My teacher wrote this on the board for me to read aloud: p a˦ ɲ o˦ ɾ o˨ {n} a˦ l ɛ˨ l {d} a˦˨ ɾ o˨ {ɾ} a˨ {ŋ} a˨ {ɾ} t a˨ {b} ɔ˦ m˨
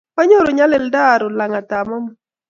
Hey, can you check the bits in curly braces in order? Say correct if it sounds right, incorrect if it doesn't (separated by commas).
incorrect, correct, incorrect, correct, incorrect, incorrect